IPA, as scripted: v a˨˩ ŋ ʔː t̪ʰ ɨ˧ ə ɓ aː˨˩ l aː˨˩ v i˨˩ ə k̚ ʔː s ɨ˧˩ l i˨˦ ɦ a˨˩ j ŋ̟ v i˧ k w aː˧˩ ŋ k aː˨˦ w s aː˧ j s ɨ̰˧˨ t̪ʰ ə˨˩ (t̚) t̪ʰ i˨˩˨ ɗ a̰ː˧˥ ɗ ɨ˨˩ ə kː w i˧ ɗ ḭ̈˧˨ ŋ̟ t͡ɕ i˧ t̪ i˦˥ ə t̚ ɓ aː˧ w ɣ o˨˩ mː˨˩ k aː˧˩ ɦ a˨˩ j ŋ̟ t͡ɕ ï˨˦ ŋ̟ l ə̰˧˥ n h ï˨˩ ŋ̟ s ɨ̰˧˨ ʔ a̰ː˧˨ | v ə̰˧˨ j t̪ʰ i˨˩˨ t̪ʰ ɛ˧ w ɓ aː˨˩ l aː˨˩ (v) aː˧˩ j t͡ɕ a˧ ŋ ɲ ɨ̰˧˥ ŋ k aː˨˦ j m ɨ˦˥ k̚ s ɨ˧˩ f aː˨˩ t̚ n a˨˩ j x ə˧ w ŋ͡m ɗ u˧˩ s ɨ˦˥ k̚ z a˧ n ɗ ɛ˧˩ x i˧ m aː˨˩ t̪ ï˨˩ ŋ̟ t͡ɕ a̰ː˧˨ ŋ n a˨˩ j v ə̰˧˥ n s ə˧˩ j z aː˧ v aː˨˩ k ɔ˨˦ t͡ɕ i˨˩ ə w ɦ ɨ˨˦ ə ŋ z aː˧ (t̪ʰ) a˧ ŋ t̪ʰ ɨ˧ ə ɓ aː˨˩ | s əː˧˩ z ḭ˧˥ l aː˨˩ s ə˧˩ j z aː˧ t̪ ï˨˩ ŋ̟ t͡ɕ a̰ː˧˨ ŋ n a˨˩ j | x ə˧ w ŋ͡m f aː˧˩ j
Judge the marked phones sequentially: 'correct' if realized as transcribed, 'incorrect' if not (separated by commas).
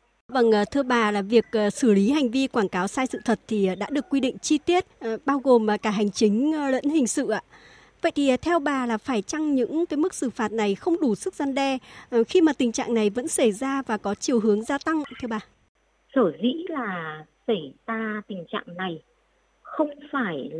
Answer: correct, incorrect, incorrect